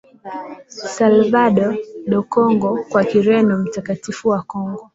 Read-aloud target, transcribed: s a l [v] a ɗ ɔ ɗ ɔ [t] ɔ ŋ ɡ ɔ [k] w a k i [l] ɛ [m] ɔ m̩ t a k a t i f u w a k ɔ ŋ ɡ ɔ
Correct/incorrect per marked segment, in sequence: correct, incorrect: k, correct, incorrect: ɾ, incorrect: n

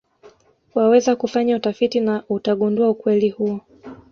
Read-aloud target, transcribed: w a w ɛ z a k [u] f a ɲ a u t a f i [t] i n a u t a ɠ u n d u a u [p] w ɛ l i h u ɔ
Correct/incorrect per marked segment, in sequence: correct, correct, incorrect: k

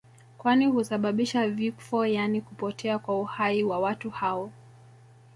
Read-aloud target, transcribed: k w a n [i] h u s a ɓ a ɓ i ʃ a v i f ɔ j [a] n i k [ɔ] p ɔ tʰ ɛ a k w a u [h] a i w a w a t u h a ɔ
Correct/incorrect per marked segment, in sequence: correct, correct, incorrect: u, correct

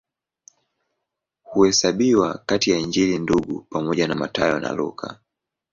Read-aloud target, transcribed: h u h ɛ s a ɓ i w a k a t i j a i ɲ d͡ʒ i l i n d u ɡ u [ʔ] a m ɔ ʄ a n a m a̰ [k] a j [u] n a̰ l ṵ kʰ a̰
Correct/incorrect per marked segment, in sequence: incorrect: p, incorrect: t, incorrect: ɔ

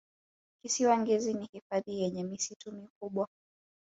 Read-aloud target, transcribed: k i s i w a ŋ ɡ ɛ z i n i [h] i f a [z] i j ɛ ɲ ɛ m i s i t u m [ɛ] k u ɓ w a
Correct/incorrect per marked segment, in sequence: correct, incorrect: ð, incorrect: i

